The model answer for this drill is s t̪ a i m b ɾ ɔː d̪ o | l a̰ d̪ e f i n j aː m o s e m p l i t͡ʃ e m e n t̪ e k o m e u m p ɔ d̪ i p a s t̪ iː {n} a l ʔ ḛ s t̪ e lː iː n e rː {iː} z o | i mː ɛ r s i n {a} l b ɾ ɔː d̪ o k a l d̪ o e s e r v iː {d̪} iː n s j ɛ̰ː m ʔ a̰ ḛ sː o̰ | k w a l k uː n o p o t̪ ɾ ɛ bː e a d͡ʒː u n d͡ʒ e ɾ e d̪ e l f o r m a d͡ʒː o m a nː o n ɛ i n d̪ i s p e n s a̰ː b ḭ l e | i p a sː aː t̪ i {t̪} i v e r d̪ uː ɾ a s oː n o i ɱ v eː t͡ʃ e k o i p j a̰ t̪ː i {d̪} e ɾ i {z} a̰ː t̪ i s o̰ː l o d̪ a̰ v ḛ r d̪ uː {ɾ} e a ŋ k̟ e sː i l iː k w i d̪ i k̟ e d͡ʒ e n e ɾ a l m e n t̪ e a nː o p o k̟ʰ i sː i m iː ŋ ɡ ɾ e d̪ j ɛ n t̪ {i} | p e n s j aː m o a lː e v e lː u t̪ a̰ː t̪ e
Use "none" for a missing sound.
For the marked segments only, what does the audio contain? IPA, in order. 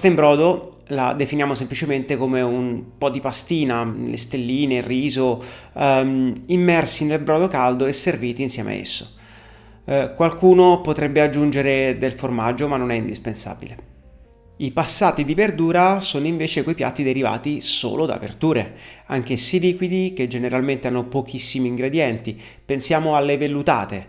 n, iː, e, t̪, d̪, d̪, v, ɾ, i

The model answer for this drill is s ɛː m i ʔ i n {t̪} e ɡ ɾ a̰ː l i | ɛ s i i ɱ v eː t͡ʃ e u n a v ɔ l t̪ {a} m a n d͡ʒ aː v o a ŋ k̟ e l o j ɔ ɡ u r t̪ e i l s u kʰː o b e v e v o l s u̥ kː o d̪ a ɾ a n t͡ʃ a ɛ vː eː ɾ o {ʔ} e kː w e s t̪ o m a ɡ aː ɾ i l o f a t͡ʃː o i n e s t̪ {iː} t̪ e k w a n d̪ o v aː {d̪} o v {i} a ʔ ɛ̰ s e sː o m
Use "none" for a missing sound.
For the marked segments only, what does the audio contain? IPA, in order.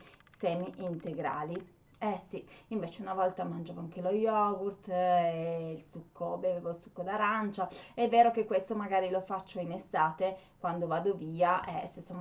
t̪, a, k, aː, d̪, iː

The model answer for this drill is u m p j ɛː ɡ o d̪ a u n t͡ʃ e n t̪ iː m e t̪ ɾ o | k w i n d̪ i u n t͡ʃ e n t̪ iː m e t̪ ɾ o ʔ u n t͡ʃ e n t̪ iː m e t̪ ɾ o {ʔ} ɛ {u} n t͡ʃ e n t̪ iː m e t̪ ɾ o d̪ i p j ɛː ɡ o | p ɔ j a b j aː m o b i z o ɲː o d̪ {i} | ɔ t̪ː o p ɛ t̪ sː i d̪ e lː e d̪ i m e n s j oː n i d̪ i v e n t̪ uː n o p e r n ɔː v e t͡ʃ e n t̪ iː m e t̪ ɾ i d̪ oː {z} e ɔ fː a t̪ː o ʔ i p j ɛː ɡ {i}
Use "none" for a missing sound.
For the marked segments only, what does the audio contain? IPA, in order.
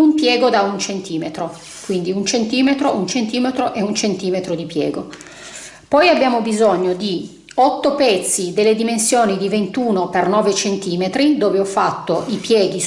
ʔ, u, i, v, i

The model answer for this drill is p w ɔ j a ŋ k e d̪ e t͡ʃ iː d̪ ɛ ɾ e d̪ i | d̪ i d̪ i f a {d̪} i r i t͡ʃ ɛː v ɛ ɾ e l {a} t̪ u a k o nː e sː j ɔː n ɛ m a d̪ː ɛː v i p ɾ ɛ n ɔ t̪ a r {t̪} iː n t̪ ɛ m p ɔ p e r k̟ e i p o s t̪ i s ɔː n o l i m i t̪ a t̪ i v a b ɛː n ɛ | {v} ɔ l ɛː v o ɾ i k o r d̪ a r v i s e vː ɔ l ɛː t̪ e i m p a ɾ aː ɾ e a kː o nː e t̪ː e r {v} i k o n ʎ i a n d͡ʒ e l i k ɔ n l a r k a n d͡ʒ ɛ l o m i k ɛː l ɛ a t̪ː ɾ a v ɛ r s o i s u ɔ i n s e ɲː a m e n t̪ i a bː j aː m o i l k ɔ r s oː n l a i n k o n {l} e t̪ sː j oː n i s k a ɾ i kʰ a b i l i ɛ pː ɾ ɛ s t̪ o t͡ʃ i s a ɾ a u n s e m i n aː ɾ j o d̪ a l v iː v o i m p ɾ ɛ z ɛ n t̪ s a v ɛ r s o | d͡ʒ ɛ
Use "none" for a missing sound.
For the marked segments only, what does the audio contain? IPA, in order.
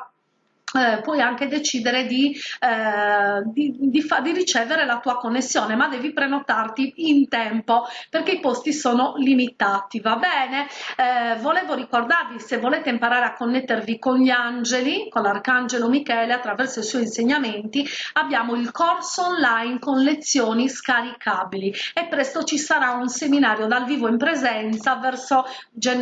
d̪, a, t̪, v, v, l

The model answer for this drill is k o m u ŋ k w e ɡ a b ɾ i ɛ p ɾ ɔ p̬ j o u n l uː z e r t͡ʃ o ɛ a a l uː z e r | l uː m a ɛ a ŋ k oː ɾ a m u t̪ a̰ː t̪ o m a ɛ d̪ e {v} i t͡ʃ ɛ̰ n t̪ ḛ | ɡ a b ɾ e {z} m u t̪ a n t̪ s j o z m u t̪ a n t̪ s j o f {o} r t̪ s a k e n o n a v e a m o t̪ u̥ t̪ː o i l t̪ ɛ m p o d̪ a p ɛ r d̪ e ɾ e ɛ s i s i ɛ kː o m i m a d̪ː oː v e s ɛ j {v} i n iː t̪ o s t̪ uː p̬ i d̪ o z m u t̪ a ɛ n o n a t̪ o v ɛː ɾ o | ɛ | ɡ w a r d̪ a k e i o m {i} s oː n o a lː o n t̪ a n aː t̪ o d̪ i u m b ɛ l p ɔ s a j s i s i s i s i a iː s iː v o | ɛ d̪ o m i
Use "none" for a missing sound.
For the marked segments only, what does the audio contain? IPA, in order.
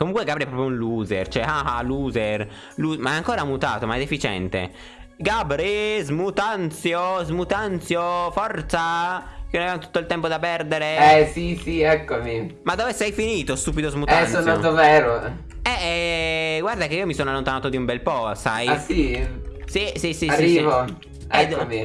f, z, ɔ, f, i

